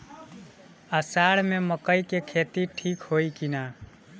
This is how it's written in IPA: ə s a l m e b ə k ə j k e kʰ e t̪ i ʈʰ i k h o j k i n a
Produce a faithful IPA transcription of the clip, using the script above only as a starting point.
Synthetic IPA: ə s a ɽ m e m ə k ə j k e kʰ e t̪ i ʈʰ i k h o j k i n a